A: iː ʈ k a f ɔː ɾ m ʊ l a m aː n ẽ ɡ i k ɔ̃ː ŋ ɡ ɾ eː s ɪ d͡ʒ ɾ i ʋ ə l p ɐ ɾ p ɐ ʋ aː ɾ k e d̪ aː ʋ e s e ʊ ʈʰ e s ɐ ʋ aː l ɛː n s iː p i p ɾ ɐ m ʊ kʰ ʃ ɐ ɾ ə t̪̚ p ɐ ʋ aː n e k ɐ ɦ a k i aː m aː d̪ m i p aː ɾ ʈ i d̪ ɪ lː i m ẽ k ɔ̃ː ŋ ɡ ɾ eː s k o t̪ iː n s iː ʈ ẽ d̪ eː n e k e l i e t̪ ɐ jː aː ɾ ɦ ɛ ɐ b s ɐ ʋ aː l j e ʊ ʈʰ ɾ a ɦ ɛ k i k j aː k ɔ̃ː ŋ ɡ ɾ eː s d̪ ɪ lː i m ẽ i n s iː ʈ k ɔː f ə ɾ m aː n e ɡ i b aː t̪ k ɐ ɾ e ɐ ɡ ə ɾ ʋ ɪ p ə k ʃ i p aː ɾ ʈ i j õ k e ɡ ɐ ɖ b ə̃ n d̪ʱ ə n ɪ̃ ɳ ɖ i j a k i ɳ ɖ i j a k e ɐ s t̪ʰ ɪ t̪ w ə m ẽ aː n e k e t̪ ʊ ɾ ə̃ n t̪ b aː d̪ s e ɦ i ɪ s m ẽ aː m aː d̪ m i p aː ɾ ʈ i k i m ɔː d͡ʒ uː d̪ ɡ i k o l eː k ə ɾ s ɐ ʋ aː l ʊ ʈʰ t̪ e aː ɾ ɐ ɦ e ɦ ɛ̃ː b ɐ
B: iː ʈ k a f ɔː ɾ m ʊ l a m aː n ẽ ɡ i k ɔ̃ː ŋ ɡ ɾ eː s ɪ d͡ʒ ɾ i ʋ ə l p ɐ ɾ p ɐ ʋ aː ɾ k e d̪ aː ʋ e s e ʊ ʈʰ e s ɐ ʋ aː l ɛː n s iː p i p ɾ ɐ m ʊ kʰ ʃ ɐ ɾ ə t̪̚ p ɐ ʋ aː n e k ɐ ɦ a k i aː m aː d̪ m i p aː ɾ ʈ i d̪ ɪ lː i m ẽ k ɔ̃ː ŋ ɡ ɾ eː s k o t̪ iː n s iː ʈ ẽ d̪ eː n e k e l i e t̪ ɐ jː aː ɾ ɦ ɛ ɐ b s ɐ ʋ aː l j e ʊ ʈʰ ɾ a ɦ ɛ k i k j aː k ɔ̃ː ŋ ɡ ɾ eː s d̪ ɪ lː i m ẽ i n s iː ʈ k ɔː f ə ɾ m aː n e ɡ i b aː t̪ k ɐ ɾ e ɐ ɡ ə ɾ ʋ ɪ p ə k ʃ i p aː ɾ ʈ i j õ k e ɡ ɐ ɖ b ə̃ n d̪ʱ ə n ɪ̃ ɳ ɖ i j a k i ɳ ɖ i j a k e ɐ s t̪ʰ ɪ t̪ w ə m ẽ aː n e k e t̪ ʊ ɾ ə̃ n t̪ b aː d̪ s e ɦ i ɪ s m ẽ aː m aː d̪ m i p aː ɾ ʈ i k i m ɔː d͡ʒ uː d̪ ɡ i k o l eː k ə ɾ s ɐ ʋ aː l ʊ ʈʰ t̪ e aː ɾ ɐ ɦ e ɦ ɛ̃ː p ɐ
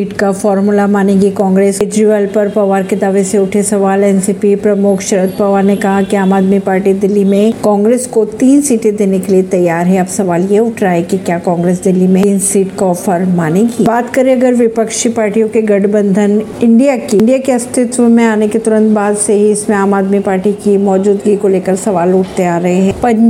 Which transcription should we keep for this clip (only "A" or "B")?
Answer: B